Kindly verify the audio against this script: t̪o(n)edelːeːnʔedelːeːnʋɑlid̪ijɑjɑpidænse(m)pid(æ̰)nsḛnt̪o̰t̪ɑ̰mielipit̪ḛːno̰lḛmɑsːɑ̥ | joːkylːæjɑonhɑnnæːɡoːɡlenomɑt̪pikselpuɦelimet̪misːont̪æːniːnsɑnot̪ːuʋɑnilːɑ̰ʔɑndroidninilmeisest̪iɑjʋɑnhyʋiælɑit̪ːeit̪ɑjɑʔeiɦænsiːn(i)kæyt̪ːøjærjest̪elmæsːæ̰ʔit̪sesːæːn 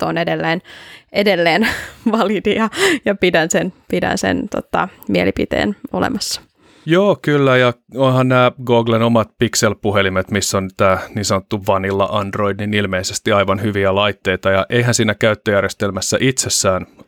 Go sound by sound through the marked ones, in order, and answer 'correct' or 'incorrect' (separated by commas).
correct, incorrect, correct, incorrect